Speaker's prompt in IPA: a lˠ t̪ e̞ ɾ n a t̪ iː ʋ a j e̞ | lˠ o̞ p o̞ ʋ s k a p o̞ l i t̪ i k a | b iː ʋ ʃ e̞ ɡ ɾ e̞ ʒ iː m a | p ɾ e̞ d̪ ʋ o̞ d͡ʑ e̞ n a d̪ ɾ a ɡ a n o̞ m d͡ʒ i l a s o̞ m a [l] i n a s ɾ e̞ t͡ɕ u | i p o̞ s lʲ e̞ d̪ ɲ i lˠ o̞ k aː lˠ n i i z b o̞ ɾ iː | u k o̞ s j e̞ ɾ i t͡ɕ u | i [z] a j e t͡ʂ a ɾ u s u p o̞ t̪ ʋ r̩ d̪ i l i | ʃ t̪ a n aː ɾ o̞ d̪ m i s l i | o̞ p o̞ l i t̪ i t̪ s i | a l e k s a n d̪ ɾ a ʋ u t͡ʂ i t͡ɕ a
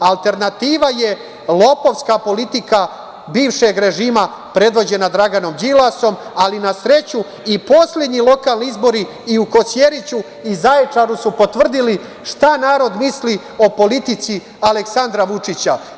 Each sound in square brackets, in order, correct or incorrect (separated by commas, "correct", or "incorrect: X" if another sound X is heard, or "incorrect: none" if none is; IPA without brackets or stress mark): correct, correct